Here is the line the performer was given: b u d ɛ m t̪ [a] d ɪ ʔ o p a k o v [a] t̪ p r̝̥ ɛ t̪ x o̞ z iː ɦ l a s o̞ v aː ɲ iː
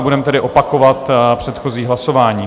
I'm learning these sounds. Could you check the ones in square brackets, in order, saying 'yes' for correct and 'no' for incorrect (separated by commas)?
no, yes